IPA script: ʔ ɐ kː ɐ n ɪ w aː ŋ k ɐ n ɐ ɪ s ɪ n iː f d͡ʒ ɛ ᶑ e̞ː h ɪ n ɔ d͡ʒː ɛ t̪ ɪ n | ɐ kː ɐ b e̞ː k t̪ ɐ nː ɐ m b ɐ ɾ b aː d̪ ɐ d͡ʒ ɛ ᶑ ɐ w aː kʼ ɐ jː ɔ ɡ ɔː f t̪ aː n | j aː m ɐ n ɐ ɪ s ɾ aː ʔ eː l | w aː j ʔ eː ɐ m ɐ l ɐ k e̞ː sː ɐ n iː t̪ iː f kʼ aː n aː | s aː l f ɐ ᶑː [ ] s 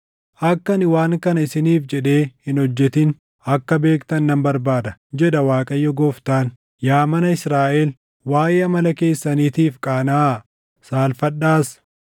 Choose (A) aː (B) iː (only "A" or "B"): A